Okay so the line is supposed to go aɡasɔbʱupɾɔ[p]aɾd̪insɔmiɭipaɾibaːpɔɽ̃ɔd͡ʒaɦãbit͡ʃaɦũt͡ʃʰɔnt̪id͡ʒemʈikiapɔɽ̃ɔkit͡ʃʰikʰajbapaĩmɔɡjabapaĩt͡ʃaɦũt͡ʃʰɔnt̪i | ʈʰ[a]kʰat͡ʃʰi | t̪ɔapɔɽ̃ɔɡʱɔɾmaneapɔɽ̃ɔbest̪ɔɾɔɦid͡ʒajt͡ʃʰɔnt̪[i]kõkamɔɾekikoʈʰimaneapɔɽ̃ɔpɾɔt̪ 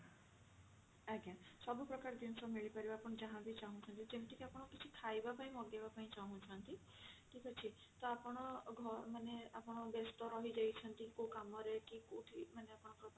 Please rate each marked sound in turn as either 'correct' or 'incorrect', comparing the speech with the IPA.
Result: incorrect: k, incorrect: i, correct

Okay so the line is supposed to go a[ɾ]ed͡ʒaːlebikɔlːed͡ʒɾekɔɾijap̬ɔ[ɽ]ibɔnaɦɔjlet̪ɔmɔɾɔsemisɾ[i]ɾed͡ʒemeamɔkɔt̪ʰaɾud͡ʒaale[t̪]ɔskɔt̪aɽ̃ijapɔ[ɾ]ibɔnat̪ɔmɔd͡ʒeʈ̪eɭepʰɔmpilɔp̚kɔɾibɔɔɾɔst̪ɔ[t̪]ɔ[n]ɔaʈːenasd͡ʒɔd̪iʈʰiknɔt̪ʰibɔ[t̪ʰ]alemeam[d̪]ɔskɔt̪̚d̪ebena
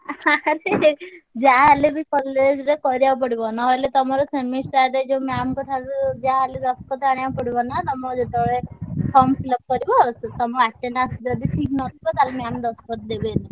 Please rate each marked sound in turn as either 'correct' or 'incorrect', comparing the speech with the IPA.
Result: correct, correct, incorrect: a, incorrect: d̪, incorrect: ɽ, correct, incorrect: m, incorrect: t̪, correct

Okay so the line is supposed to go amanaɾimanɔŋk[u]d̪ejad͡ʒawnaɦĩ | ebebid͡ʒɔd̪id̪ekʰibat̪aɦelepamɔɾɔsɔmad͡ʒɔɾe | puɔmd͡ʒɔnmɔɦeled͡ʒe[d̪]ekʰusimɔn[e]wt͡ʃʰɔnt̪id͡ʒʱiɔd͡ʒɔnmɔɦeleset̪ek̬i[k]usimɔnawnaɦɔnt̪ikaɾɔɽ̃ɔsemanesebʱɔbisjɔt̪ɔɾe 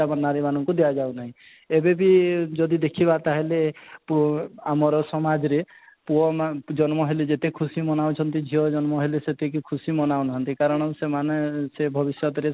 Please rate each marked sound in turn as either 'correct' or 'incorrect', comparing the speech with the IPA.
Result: correct, incorrect: t̪, incorrect: a, incorrect: kʰ

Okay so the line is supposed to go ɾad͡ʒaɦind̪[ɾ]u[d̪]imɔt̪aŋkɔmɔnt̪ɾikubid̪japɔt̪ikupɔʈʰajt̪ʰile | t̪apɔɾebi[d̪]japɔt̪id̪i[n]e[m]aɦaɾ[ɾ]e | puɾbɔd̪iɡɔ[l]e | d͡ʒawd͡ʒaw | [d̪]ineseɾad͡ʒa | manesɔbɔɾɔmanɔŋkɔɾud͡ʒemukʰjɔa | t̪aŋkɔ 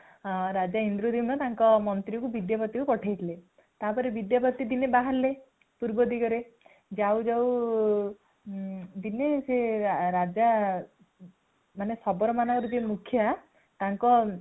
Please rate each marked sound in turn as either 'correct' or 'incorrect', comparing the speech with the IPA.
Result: correct, correct, correct, correct, incorrect: b, incorrect: l, incorrect: ɾ, correct

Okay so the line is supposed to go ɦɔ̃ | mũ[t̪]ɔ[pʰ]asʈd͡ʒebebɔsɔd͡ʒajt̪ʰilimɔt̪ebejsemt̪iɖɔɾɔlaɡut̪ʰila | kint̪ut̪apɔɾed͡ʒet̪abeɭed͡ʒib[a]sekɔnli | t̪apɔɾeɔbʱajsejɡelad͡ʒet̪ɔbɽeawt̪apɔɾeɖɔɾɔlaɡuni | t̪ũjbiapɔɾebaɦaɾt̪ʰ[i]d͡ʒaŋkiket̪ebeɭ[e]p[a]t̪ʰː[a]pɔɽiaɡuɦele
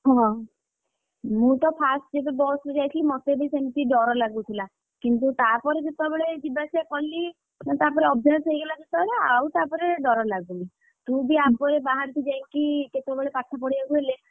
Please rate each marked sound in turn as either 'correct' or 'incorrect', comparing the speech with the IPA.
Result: correct, correct, correct, correct, correct, correct, correct

